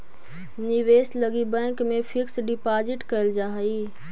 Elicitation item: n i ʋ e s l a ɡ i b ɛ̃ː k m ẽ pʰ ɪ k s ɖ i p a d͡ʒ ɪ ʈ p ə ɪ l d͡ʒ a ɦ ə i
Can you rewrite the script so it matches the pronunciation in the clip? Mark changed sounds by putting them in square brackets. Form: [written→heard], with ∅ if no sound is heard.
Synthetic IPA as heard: n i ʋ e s l [a→ə] ɡ i b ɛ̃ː k m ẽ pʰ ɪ k s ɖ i p a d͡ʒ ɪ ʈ [p→k] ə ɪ l d͡ʒ a ɦ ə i